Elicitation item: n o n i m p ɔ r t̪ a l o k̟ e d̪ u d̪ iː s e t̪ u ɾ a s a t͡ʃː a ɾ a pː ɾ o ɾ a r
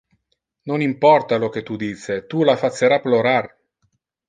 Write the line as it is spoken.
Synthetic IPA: n o n i m p ɔ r t̪ a l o k̟ e t̪ u d̪ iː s e t̪ u l a f a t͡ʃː e ɾ a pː l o ɾ a r